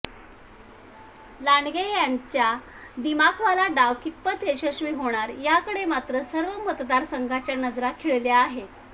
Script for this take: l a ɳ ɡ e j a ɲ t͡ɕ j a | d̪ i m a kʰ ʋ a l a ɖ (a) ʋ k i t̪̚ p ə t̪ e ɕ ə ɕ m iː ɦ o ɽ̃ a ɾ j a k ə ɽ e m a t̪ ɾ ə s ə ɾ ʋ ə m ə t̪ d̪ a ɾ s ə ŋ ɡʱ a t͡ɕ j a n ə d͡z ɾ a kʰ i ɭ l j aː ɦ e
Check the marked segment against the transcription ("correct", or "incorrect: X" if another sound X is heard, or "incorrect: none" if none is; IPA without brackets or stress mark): correct